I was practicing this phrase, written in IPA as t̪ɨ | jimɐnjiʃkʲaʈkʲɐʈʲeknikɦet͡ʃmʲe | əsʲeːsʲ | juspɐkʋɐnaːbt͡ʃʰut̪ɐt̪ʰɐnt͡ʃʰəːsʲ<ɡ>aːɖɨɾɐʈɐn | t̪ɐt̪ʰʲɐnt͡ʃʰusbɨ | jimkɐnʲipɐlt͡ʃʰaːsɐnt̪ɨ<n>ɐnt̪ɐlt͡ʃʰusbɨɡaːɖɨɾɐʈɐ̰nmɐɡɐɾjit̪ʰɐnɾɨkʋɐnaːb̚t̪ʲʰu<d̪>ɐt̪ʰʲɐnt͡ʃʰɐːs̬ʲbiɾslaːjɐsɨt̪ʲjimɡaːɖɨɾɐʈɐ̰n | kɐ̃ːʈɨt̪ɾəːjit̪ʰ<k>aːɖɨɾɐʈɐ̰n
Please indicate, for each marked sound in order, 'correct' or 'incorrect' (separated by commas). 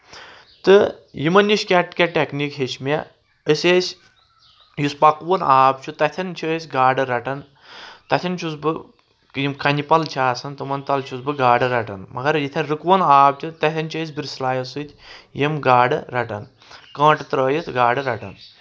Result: correct, incorrect, incorrect, incorrect